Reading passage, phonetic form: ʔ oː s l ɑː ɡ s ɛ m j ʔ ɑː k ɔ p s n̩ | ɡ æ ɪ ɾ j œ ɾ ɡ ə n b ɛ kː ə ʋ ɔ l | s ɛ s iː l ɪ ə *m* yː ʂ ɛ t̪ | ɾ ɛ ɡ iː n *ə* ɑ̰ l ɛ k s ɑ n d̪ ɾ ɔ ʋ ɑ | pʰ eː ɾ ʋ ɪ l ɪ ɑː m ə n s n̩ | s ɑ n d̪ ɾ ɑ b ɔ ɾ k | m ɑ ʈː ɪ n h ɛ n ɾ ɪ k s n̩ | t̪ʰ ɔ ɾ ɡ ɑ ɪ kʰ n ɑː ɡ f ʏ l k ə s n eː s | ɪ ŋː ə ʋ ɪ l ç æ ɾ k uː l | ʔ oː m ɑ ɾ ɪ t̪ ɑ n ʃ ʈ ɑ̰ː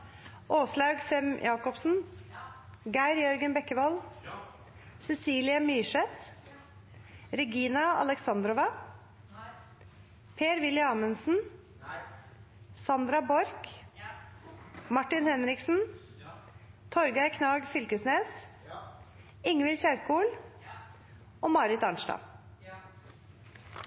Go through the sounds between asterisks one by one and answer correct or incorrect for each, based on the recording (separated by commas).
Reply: correct, incorrect